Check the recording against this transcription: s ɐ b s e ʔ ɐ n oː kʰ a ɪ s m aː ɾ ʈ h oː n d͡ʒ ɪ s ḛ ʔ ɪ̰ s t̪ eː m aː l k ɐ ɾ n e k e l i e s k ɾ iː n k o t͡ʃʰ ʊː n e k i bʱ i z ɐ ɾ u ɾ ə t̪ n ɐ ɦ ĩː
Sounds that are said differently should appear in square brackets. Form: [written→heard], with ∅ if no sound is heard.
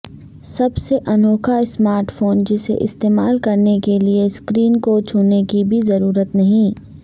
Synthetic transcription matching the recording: s ɐ b s e ʔ ɐ n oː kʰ a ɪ s m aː ɾ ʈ [h→f] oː n d͡ʒ ɪ s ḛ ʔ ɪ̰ s t̪ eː m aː l k ɐ ɾ n e k e l i e s k ɾ iː n k o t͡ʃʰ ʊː n e k i bʱ i z ɐ ɾ [u→uː] ɾ ə t̪ n ɐ ɦ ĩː